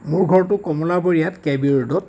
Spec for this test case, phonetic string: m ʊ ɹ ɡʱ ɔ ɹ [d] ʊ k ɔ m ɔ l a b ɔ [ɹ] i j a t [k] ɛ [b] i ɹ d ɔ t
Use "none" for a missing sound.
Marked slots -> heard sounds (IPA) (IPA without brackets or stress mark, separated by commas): t, ɹ, k, b